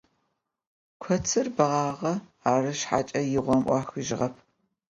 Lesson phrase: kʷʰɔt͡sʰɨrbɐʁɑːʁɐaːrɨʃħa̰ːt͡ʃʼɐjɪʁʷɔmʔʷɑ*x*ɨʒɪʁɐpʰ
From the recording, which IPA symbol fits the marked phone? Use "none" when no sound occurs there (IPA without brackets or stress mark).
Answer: x